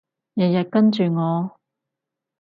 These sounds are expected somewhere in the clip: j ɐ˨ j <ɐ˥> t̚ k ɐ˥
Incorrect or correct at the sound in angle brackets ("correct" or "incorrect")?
incorrect